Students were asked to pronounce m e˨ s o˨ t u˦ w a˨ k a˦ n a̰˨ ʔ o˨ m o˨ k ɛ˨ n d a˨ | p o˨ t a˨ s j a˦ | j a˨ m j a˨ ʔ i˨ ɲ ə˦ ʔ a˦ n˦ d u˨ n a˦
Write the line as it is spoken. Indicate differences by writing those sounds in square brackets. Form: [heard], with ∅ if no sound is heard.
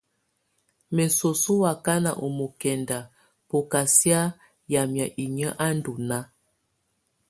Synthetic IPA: m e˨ s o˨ [s] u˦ w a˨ k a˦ n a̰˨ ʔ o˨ m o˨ k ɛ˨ n d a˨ | p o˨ [k] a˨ s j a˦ | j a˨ m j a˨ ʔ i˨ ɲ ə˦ ʔ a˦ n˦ d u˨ n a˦